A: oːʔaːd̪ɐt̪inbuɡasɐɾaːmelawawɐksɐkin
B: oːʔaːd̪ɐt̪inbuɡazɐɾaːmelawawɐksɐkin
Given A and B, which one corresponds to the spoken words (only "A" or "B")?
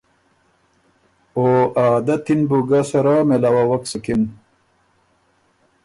A